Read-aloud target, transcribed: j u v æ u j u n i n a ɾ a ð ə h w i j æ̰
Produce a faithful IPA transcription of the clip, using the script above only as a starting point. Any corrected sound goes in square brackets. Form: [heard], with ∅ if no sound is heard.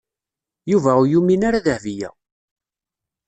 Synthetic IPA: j u v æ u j u [m] i n a ɾ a ð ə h [v] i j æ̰